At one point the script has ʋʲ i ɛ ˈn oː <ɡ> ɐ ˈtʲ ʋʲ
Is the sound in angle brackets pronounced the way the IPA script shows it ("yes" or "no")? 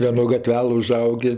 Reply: yes